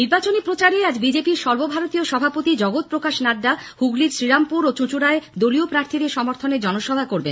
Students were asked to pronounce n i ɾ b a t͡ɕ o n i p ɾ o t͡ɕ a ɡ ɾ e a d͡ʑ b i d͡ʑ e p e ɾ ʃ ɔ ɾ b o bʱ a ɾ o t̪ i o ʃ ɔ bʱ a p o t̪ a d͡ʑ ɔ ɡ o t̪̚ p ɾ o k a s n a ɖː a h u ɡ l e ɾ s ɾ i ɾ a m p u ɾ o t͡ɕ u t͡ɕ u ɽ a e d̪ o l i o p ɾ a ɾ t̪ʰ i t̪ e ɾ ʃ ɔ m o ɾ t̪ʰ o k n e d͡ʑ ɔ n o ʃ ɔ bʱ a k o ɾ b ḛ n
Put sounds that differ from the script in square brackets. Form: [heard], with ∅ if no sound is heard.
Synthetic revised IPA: n i ɾ b a t͡ɕ o n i p ɾ o t͡ɕ a [∅] ɾ e a d͡ʑ b i d͡ʑ e p [i] ɾ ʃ ɔ ɾ b o bʱ a ɾ o t̪ i o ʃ ɔ bʱ a p o t̪ [i] d͡ʑ ɔ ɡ o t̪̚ p ɾ o k a [ʃ] n a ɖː a h u ɡ l [i] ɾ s ɾ i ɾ a m p u ɾ o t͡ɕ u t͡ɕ u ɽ a e d̪ o l i o p ɾ a ɾ t̪ʰ i [d̪] e ɾ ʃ ɔ m o ɾ t̪ʰ o [∅] n e d͡ʑ ɔ n o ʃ ɔ bʱ a k o ɾ b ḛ n